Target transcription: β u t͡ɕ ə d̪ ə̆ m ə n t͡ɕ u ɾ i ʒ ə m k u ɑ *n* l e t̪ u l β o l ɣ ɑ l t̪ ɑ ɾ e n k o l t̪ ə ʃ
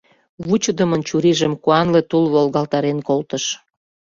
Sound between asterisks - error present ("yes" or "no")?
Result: no